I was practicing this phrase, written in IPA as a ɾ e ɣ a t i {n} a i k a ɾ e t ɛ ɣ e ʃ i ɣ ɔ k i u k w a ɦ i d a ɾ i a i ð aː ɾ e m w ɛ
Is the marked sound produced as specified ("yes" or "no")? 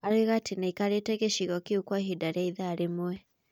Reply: yes